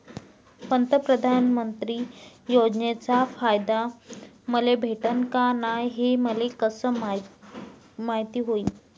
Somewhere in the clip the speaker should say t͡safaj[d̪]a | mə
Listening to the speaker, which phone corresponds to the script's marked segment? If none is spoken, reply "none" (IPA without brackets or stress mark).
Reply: d̪